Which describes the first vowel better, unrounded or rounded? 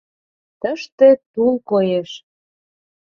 unrounded